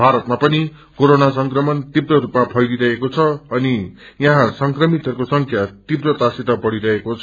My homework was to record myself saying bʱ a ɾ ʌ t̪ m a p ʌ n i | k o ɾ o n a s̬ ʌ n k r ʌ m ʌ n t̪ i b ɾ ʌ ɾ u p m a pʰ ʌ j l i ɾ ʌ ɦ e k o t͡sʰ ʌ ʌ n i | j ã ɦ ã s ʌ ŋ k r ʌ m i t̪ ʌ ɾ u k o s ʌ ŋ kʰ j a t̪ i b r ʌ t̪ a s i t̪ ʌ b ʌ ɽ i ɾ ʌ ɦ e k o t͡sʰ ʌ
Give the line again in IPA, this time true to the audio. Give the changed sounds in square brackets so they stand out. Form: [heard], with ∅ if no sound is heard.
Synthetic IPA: bʱ a ɾ ʌ t̪ m a p ʌ n i | k o ɾ o n a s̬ ʌ [ŋ] k r ʌ m ʌ n t̪ i b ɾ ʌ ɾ u p m a pʰ ʌ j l i ɾ ʌ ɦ e k o t͡sʰ ʌ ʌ n i | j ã ɦ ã s ʌ ŋ k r ʌ m i t̪ ʌ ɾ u k o s ʌ ŋ kʰ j a t̪ i b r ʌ t̪ a s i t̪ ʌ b ʌ ɽ i ɾ ʌ ɦ e k o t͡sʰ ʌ